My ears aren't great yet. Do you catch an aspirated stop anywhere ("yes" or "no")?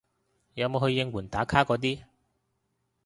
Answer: yes